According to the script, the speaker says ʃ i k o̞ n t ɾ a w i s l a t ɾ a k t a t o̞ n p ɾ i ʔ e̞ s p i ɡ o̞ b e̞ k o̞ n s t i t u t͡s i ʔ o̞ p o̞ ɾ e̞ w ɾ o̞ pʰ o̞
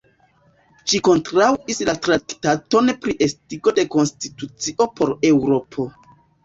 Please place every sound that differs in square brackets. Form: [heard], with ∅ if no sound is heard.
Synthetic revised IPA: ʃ i k o̞ n t ɾ a w i s l a t ɾ a k t a t o̞ n p ɾ i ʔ e̞ s [t] i ɡ o̞ [d] e̞ k o̞ n s t i t u t͡s i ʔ o̞ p o̞ ɾ e̞ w ɾ o̞ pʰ o̞